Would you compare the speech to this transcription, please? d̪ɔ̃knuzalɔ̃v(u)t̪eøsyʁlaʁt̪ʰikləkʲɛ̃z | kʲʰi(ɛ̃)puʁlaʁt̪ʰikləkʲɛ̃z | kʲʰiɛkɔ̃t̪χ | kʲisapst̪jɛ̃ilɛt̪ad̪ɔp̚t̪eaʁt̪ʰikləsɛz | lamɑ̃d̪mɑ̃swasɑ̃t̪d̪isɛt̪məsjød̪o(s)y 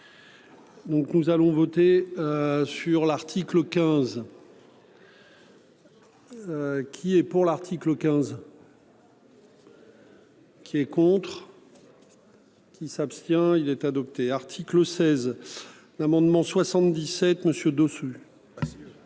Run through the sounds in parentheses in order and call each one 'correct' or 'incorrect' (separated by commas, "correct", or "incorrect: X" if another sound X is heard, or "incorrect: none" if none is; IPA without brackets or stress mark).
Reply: incorrect: ɔ, incorrect: ɛ, correct